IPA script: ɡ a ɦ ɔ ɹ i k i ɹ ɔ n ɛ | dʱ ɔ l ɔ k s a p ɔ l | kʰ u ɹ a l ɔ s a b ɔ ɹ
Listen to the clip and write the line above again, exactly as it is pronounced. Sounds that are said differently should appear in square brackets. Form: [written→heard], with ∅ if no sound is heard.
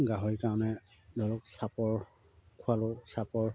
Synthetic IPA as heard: ɡ a ɦ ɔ ɹ i k [i→a] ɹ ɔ n ɛ | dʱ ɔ l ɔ k s a p ɔ [l→ɹ] | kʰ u [ɹ→∅] a l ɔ s a [b→p] ɔ ɹ